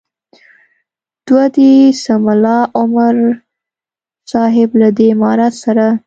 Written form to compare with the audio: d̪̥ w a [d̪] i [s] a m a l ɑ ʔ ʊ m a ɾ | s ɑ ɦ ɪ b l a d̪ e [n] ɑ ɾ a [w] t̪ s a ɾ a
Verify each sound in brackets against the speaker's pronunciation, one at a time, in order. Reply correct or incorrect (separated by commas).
correct, correct, incorrect, incorrect